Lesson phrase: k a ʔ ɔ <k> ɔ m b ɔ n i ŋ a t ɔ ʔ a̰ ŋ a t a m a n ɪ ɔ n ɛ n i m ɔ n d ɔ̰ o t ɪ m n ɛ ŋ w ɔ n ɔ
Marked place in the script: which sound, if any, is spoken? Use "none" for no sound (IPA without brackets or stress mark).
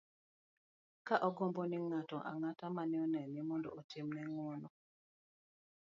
ɡ